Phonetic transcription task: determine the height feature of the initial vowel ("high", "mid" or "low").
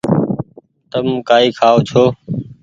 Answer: mid